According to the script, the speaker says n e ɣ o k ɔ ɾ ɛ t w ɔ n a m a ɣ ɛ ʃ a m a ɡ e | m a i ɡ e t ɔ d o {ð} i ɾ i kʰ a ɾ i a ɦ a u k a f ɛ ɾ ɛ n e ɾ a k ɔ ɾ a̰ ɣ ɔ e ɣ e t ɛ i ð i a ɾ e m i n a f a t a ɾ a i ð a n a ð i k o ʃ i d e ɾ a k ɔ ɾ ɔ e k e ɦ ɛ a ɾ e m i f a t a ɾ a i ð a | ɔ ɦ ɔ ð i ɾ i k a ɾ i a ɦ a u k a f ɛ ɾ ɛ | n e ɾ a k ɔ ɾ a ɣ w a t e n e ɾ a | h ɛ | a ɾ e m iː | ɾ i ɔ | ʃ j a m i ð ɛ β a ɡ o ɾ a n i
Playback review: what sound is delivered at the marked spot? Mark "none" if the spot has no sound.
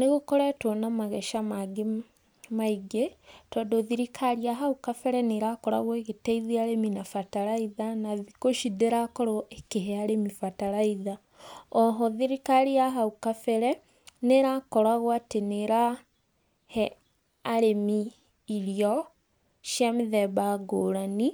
ð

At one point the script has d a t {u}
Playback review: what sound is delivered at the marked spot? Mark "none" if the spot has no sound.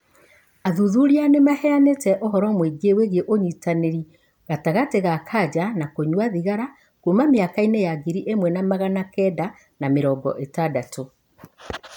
o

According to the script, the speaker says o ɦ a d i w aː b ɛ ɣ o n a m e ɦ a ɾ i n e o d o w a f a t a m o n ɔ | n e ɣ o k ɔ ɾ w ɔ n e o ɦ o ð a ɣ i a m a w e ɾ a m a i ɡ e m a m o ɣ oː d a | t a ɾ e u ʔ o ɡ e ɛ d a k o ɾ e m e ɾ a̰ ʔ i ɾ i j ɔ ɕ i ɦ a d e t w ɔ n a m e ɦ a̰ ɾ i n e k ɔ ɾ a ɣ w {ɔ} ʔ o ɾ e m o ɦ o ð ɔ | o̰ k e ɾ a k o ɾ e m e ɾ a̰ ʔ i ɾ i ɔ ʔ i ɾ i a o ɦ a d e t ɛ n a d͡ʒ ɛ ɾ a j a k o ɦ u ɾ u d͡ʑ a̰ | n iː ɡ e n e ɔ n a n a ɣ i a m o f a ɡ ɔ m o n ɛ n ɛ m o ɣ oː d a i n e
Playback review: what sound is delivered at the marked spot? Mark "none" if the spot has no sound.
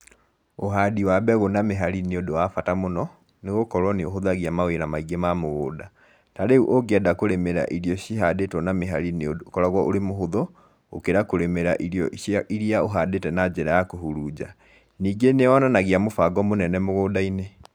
ɔ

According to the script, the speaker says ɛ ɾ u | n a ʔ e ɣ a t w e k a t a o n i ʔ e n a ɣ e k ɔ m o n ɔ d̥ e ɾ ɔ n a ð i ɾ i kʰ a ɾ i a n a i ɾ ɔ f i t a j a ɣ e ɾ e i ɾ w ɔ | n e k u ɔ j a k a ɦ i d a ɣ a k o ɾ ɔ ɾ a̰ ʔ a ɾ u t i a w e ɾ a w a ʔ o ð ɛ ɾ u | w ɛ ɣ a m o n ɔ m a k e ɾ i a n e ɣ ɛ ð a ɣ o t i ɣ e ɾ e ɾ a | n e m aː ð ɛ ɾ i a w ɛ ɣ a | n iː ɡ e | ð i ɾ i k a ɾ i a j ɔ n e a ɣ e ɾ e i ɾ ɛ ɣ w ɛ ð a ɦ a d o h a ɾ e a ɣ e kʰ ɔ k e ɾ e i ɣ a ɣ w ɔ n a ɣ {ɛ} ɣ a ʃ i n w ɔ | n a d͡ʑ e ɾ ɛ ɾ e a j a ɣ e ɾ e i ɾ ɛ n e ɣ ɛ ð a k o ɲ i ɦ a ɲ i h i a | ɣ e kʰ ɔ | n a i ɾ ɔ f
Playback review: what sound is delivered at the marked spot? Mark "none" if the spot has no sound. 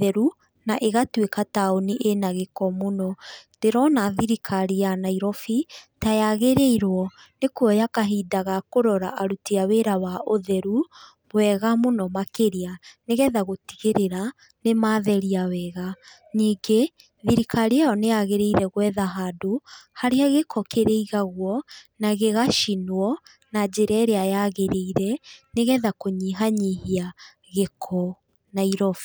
e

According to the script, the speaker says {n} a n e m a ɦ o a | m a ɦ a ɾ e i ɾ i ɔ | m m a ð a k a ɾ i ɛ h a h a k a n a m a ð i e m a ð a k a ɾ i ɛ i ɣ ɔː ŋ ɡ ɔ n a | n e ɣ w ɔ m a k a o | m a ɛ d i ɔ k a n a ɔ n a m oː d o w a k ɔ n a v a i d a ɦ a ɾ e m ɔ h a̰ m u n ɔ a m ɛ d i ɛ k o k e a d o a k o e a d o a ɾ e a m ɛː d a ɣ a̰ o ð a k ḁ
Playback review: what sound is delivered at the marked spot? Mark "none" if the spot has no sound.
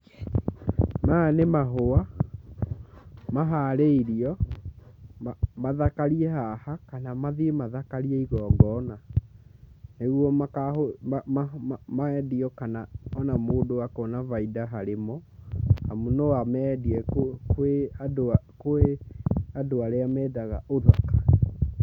m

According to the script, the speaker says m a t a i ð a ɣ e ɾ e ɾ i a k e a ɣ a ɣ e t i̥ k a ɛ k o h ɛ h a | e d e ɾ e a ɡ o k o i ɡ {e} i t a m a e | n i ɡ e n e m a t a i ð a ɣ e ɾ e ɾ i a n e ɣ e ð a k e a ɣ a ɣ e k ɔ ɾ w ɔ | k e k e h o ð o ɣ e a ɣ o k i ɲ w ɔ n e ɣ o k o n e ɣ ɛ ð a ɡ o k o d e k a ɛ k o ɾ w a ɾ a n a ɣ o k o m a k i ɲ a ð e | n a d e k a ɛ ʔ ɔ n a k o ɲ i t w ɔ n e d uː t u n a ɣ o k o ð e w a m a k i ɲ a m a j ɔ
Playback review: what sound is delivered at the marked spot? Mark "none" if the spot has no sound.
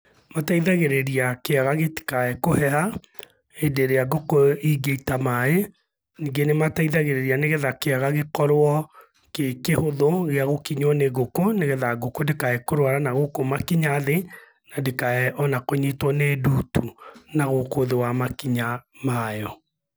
e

